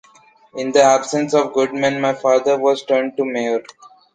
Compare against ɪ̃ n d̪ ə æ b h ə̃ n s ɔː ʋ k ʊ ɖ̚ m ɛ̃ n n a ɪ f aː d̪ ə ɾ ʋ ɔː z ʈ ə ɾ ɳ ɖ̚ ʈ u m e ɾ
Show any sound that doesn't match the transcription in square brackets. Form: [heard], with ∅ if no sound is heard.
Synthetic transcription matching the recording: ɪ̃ n d̪ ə æ b [s] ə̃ n s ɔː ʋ [ɡ] ʊ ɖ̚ m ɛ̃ n [m] a ɪ f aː d̪ ə ɾ ʋ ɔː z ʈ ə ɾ ɳ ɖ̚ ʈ u m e ɾ